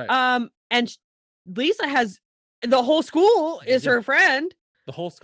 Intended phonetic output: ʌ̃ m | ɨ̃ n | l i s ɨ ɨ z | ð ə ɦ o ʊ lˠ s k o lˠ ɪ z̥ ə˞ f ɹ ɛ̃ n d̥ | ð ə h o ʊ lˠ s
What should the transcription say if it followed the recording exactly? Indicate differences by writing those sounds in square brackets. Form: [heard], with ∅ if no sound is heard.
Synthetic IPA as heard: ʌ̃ m | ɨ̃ n | l i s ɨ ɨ z | ð ə ɦ o ʊ lˠ s k [u] lˠ ɪ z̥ ə˞ f ɹ ɛ̃ n d̥ | ð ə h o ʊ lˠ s